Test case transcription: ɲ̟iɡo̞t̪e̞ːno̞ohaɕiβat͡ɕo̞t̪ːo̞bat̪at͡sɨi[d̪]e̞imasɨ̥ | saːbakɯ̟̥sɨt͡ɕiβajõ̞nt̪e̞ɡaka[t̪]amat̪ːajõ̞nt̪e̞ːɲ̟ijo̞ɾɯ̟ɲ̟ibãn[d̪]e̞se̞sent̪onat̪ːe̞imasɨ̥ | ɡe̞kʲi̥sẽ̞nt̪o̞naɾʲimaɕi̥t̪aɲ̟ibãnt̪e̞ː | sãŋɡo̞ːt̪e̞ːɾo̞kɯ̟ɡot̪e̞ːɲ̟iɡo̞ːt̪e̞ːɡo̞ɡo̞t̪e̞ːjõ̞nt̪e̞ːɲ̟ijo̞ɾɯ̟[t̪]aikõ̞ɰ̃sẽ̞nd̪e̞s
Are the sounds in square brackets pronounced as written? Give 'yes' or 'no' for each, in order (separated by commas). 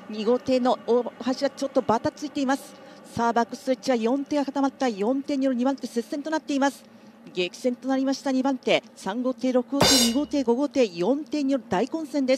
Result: no, yes, no, no